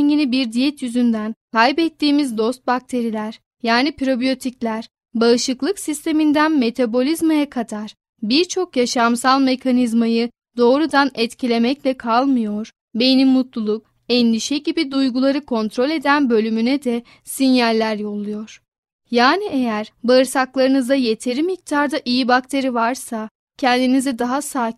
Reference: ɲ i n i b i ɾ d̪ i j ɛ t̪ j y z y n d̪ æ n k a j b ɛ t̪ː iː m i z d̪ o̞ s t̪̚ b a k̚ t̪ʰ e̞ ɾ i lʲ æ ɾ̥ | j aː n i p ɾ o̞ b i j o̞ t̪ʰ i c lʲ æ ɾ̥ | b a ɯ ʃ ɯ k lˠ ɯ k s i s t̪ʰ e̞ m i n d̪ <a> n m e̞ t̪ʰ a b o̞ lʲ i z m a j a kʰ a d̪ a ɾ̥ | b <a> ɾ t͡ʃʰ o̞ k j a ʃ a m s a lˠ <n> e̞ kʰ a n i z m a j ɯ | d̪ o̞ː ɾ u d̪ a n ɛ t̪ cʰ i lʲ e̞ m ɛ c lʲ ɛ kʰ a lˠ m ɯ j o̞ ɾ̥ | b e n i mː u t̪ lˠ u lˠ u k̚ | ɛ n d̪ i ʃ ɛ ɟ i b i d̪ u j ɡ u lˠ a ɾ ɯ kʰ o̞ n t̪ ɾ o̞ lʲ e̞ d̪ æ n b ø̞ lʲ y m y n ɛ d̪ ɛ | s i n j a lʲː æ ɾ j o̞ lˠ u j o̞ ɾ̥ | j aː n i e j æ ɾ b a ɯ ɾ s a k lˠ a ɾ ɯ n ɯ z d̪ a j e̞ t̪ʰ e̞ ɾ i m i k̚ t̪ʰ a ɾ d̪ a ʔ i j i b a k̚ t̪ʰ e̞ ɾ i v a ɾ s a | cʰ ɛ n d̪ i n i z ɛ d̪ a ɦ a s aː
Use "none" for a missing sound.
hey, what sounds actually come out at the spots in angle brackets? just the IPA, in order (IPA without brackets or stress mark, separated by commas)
æ, i, m